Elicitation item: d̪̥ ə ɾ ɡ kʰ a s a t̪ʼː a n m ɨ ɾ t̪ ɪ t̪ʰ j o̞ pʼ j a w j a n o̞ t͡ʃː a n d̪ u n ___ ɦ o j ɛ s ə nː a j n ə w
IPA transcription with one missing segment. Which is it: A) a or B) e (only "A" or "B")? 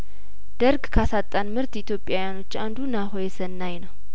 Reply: A